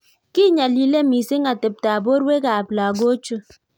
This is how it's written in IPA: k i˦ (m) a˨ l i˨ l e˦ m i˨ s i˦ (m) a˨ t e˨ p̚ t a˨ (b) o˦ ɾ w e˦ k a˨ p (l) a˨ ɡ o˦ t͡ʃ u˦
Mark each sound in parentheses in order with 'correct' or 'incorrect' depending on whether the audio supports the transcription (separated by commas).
incorrect, incorrect, correct, correct